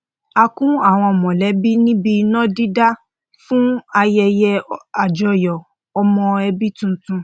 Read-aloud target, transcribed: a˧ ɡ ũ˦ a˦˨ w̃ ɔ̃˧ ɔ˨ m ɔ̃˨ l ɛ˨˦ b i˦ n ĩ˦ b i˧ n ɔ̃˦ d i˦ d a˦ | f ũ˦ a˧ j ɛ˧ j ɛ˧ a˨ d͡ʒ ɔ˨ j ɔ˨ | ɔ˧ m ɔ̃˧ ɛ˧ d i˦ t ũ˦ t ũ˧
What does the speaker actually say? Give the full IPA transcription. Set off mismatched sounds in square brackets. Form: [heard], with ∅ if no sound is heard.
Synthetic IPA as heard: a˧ [k] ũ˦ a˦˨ w̃ ɔ̃˧ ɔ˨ m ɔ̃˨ l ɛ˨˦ b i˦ n ĩ˦ b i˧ n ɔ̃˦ d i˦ d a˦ | f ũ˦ a˧ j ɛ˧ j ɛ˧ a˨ d͡ʒ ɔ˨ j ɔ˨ | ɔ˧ m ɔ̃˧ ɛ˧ [b] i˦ t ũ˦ t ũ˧